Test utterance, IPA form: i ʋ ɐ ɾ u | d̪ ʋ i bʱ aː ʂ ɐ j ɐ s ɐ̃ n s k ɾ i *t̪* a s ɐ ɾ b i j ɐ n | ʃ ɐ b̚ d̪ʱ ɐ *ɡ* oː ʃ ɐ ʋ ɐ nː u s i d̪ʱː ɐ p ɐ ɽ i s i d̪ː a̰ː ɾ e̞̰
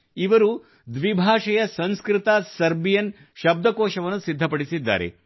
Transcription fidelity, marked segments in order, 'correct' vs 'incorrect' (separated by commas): correct, incorrect